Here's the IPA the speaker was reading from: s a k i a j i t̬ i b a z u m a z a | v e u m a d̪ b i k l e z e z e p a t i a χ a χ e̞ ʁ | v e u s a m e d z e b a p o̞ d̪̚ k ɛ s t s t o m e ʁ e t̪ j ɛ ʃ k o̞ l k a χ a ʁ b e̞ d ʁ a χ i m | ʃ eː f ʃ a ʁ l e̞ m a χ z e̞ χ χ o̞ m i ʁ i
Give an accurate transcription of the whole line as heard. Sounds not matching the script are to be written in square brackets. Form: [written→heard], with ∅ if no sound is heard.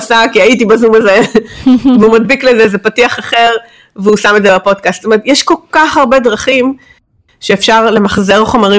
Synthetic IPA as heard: s a k i a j i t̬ i b a z u m a z [a→e] | v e u m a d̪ b i k l e z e z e p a t i a χ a χ e̞ ʁ | v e u s a m e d z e b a p o̞ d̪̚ k [ɛ→a] s t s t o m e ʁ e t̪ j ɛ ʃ k o̞ l k a χ a ʁ b e̞ d ʁ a χ i m | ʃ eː f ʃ a ʁ l e̞ m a χ z e̞ [χ→ʁ] χ o̞ m [i→a] ʁ i